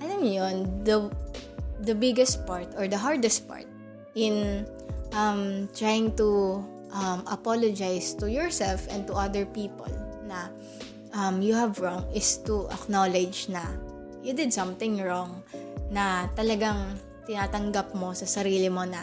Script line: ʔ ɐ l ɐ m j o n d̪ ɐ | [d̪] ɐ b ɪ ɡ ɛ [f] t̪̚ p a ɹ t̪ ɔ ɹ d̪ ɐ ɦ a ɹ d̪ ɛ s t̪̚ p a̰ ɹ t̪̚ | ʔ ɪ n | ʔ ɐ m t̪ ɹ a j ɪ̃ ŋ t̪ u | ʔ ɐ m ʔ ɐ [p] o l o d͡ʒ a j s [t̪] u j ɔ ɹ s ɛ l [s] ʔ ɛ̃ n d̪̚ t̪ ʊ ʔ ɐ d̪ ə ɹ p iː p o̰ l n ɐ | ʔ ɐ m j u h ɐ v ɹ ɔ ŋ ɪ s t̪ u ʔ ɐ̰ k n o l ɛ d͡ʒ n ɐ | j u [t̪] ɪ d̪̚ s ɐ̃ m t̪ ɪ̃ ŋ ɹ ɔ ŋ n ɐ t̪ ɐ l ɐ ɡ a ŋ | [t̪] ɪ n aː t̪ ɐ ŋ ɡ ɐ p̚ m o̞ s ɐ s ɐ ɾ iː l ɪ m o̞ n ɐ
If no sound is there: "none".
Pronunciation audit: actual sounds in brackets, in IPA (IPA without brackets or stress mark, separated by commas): d̪, s, p, t̪, f, d̪, t̪